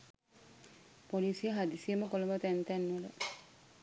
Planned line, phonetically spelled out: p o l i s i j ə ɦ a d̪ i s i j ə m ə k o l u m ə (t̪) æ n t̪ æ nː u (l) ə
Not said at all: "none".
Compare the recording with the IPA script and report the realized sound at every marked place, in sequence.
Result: t̪, l

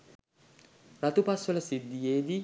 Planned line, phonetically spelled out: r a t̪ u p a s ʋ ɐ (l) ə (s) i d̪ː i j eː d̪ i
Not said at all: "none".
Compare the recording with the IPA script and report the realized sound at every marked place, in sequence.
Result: l, s

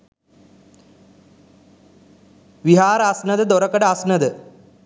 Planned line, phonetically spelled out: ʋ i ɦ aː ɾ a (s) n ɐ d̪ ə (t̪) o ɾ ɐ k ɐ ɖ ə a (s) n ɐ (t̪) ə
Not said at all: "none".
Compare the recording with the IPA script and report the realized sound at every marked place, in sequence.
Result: s, d̪, s, d̪

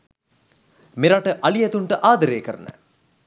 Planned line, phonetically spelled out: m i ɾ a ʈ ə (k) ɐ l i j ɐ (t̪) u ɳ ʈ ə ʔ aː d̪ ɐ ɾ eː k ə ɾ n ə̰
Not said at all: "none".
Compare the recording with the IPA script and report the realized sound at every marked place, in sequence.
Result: ʔ, t̪

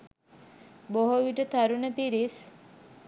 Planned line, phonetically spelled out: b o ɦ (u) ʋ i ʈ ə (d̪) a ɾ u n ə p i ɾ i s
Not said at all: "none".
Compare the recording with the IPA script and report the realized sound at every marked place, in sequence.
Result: o, t̪

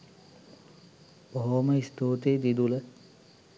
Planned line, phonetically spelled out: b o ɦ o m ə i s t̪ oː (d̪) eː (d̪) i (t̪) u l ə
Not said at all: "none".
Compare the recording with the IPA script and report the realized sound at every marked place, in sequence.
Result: t̪, d̪, d̪

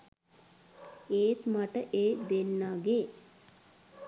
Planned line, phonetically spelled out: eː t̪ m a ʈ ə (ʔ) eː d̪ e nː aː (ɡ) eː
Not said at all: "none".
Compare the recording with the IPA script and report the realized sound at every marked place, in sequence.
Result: ʔ, ɡ

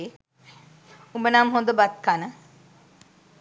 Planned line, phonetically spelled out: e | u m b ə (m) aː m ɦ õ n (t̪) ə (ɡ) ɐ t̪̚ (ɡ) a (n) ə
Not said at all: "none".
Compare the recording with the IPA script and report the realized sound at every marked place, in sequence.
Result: n, d̪, b, k, n

